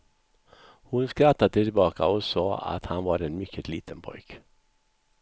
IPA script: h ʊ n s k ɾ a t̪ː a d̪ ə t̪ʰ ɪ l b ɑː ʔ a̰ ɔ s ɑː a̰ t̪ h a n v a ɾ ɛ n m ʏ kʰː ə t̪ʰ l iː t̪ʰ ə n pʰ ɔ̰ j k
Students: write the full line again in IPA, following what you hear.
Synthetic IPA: h ʊ n s k ɾ a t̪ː a d̪ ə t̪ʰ ɪ l b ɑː k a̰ ɔ s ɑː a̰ t̪ h a n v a ɾ ɛ n m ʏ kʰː ə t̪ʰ l iː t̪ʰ ə n pʰ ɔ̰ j k

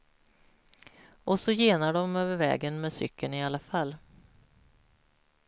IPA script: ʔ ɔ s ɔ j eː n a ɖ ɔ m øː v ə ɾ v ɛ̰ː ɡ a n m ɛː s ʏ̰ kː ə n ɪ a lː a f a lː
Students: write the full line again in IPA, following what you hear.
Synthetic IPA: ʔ ɔ s ɔ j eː n a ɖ ɔ m øː v ə ɾ v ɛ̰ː ɡ ə n m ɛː s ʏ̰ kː ə n ɪ a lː a f a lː

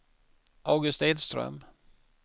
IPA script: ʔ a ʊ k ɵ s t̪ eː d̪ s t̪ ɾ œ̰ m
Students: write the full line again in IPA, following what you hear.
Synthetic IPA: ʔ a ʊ ɡ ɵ s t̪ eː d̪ s t̪ ɾ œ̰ m

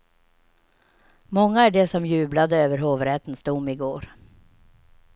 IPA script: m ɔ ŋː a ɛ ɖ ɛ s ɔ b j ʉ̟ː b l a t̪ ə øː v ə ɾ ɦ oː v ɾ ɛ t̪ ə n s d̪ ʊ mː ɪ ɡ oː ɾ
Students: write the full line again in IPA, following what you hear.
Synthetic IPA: m ɔ ŋː a æ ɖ ɛ s ɔ m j ʉ̟ː b l a d̪ ə øː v ə ɾ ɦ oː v ɾ ɛ t̪ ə n s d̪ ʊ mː ɪ ɡ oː ɾ

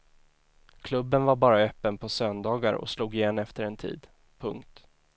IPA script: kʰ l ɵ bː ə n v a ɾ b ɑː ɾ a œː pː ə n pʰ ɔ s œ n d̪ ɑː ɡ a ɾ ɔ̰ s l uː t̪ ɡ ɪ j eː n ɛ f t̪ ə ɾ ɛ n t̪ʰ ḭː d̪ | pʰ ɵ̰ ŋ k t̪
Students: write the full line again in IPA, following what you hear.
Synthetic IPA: kʰ l ɵ bː ə n v a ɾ b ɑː ɾ a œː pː ə n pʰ ɔ s œ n d̪ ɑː ɡ a ɾ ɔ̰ s l uː ɡ ɪ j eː n ɛ f t̪ ə ɾ ɛ n t̪ʰ ḭː d̪ | pʰ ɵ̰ ŋ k t̪

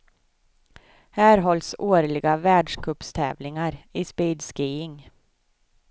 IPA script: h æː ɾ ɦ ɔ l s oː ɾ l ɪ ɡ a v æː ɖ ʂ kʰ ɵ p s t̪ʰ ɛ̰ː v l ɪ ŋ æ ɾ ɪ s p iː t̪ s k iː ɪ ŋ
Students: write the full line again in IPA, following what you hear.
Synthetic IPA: h æː ɾ ɦ ɔ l s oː ɾ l ɪ ɡ a v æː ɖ ʂ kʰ ɵ p s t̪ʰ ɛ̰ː v l ɪ ŋ a ɾ ɪ s p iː d̪ s k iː ɪ ŋ

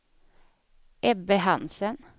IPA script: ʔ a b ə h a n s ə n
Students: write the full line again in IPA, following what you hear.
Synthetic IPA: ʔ ɛ b ə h ɑ n s ə n

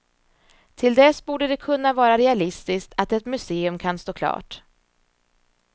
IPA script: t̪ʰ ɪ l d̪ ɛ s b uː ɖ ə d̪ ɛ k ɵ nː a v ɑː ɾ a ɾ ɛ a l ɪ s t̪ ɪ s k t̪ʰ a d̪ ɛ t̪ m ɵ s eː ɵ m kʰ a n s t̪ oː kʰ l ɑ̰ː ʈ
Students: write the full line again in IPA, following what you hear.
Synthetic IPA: t̪ʰ ɪ l d̪ ɛ s b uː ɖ ə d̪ ɛ kʰ ɵ nː a v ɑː ɾ a ɾ ɛ a l ɪ s t̪ ɪ s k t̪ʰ a t̪ ɛ t̪ m ɵ s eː ɵ m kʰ a n s t̪ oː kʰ l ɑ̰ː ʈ

